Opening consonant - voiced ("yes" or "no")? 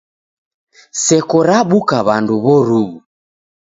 no